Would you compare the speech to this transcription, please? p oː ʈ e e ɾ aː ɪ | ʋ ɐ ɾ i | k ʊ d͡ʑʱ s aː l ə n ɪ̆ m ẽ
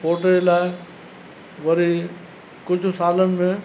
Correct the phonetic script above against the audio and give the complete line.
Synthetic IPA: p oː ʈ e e l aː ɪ | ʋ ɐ ɾ i | k ʊ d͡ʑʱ s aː l ə n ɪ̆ m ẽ